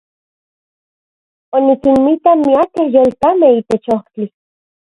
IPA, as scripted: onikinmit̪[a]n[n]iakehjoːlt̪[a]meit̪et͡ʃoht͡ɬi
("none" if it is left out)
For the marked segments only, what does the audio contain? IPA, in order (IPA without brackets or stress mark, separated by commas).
a, m, a